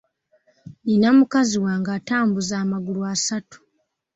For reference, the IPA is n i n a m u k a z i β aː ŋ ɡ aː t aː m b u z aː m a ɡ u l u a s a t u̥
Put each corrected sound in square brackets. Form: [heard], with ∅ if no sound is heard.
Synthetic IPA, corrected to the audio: n i n a m u k a z i [w] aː ŋ ɡ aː t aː m b u z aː m a ɡ u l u a s a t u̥